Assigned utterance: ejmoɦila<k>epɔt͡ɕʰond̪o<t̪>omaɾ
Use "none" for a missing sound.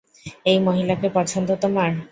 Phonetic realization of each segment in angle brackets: k, t̪

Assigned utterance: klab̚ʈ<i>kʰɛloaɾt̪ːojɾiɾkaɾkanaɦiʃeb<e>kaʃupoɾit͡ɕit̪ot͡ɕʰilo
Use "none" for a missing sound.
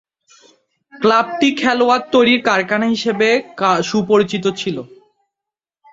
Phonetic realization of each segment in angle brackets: i, e

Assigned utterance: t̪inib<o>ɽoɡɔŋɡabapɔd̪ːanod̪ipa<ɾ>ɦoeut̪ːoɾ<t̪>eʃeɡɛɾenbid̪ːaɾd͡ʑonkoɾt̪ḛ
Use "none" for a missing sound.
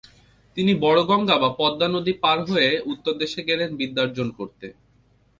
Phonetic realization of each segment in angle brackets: ɔ, ɾ, d̪

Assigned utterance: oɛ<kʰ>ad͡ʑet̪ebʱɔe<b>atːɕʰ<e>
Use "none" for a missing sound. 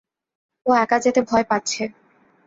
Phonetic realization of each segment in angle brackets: k, p, e

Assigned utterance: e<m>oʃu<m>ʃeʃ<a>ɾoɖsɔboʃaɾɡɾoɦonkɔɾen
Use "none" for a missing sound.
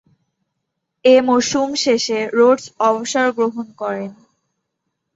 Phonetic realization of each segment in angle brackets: m, m, e

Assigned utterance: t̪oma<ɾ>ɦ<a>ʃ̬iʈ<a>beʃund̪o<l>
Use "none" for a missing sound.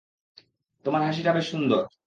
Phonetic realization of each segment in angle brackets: ɾ, a, a, ɾ

